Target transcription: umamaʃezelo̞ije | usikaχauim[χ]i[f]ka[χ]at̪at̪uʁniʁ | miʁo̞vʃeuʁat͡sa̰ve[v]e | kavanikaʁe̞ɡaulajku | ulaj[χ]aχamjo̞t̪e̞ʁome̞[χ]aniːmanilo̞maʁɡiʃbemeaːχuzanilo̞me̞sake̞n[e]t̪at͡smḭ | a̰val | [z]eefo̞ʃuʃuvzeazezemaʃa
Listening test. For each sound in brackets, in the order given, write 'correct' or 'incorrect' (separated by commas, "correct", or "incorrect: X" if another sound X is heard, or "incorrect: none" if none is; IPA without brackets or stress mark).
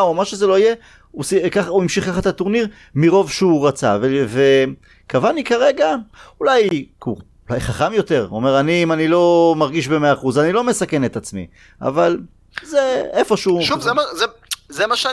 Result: incorrect: ʃ, incorrect: χ, correct, correct, correct, incorrect: ʁ, correct, correct